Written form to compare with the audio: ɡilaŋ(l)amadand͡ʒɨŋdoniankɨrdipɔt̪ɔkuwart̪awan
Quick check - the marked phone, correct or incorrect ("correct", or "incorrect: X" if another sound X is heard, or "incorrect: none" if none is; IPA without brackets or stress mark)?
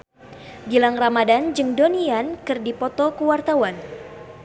incorrect: r